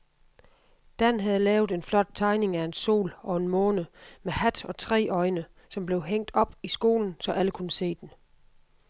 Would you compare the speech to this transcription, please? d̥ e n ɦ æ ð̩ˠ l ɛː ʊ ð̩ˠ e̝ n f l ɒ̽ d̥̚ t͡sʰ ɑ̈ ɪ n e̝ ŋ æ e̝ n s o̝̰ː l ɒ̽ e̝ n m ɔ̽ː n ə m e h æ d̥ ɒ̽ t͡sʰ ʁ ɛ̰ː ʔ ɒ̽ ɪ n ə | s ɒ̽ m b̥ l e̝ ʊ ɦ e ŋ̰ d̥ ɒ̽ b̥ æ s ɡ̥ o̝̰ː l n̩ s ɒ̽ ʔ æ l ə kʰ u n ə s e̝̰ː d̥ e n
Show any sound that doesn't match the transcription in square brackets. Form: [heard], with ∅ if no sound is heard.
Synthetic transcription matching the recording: d̥ [æ] n ɦ æ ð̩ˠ l ɛː ʊ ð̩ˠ e̝ n f l ɒ̽ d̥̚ t͡sʰ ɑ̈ ɪ n e̝ ŋ æ e̝ n s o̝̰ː l ɒ̽ e̝ n m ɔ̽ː n ə m e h æ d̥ ɒ̽ t͡sʰ ʁ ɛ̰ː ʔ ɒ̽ ɪ n ə | s ɒ̽ m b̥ l e̝ ʊ ɦ e ŋ̰ d̥ ɒ̽ b̥ [i] s ɡ̥ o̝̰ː l n̩ s ɒ̽ ʔ æ l ə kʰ u n ə s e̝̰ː d̥ e n

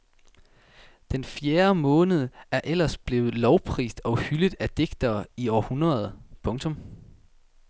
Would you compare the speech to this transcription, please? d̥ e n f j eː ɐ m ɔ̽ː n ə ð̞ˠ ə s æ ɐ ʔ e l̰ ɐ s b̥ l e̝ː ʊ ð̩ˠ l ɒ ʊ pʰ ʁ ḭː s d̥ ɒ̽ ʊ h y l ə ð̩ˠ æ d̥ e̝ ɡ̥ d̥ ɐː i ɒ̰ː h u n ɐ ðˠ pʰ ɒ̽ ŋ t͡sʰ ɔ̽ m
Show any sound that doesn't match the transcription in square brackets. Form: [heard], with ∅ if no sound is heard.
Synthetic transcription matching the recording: d̥ e n f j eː ɐ m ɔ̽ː n ə ð̞ˠ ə [∅] æ ɐ ʔ e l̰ ɐ s b̥ l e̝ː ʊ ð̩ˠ l ɒ ʊ pʰ ʁ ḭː s d̥ ɒ̽ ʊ h y l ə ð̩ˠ æ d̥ e̝ ɡ̥ d̥ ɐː i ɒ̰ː h u n ɐ ðˠ pʰ [ɔ̽] ŋ t͡sʰ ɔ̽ m

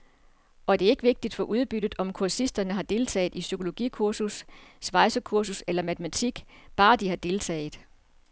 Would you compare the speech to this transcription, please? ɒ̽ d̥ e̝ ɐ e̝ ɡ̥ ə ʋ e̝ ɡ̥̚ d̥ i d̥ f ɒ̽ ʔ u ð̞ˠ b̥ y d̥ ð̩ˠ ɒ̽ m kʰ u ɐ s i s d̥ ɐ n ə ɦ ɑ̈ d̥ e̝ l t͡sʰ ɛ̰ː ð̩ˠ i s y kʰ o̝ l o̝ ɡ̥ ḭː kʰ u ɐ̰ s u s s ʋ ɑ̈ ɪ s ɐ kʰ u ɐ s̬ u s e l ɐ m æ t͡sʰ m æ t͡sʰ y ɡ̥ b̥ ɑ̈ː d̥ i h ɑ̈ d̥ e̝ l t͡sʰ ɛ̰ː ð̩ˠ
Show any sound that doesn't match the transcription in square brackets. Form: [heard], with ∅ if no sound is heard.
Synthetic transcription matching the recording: ɒ̽ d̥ e̝ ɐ e̝ ɡ̥ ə ʋ e̝ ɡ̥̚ d̥ i d̥ f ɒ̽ ʔ u ð̞ˠ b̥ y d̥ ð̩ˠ ɒ̽ m kʰ u ɐ s i s d̥ ɐ n ə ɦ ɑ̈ d̥ e̝ l t͡sʰ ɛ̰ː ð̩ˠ i s y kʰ o̝ l o̝ ɡ̥ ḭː kʰ u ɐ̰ s u s s ʋ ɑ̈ ɪ s ɐ kʰ u ɐ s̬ u s e l ɐ m æ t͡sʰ m æ t͡sʰ [i] ɡ̥ b̥ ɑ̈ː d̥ i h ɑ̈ d̥ e̝ l t͡sʰ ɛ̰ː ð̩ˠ

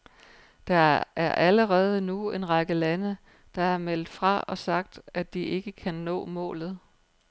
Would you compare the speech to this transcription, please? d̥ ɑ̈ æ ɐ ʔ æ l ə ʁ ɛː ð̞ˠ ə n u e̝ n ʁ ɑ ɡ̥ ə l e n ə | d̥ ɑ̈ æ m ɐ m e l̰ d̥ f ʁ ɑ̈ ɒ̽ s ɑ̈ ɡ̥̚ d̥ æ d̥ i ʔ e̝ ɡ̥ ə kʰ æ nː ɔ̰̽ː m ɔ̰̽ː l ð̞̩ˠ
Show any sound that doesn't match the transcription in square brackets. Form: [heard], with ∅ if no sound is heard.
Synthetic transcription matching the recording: d̥ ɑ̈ æ ɐ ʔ æ l ə ʁ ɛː ð̞ˠ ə n u e̝ n ʁ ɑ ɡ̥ ə l [æ] n ə | d̥ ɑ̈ æ [∅] ɐ m e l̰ d̥ f ʁ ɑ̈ ɒ̽ s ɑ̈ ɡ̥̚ d̥ æ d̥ i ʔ e̝ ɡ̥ ə kʰ æ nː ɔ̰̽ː m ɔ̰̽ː l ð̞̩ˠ

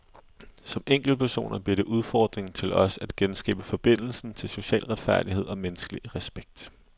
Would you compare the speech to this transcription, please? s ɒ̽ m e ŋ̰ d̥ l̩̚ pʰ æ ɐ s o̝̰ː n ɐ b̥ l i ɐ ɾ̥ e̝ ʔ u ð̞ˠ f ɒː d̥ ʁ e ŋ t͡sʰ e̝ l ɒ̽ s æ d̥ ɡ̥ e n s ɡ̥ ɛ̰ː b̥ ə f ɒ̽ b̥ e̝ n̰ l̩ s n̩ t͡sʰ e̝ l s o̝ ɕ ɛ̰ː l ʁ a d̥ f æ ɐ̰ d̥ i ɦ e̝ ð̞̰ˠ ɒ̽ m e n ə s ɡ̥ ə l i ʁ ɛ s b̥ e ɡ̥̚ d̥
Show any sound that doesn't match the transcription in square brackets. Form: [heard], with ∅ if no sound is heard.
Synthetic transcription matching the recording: s ɒ̽ m e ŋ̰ [ɡ̥] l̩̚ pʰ æ ɐ s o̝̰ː n ɐ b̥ l i ɐ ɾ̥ e̝ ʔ u ð̞ˠ f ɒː d̥ ʁ e ŋ t͡sʰ e̝ l ɒ̽ s æ d̥ ɡ̥ e n s ɡ̥ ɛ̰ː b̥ ə f ɒ̽ b̥ e̝ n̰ l̩ s n̩ t͡sʰ e̝ l s o̝ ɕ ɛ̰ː l ʁ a d̥ f æ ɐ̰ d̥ i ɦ e̝ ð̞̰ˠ ɒ̽ m e n ə s ɡ̥ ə l i ʁ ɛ s b̥ e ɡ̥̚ d̥

